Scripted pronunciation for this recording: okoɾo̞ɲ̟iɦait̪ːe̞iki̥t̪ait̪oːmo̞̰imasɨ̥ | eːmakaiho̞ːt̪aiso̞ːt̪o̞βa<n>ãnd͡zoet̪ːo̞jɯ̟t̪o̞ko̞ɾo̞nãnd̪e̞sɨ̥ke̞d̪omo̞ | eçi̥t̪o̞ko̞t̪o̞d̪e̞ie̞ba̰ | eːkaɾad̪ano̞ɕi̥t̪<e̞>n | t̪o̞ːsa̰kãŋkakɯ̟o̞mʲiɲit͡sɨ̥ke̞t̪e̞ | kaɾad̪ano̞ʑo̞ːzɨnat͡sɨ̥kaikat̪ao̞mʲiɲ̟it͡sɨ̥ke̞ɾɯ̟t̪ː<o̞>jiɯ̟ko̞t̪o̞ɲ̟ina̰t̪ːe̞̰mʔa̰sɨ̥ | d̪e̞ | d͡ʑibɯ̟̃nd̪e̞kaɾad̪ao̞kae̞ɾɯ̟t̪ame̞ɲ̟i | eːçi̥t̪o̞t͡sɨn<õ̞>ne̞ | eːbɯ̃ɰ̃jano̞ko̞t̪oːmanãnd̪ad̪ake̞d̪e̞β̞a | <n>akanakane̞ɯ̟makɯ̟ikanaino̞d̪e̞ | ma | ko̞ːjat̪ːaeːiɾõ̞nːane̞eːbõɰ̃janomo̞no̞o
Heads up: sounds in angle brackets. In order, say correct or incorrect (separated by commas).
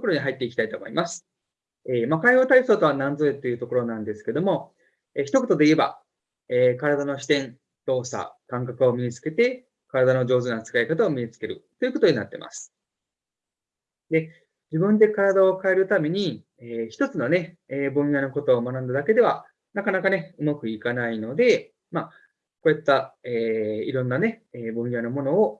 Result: correct, incorrect, correct, incorrect, correct